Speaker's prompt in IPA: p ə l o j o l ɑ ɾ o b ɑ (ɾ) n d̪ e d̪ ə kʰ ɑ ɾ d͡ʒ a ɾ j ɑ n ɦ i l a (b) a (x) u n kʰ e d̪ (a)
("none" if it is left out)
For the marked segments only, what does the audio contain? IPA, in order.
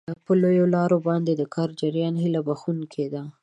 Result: none, b, x, a

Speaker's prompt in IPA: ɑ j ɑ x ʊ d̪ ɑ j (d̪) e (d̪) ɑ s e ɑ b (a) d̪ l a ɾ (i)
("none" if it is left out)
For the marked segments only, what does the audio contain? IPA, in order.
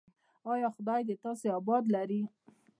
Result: d̪, t̪, ɑ, i

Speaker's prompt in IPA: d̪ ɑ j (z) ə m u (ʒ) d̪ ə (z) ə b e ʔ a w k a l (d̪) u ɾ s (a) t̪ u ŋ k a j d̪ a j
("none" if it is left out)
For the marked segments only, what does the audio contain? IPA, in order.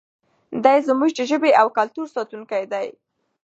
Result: z, ʒ, ʒ, t̪, ɑ

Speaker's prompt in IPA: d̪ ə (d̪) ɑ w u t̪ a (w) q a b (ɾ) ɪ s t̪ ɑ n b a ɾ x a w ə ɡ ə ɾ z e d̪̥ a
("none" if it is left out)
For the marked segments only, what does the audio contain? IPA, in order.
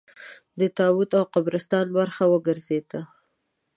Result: t̪, w, ɾ

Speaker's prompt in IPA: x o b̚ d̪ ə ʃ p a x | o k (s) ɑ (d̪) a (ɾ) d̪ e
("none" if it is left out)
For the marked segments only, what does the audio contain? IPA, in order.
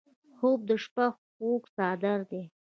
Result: s, d̪, ɾ

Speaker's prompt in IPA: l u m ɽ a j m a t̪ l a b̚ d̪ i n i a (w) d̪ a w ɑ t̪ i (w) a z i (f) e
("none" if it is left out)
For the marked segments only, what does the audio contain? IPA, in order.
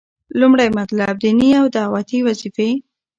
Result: w, w, f

